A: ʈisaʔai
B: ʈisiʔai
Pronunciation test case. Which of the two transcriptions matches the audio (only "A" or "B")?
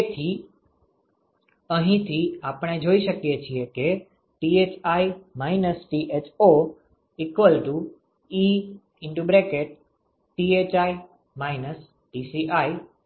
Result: B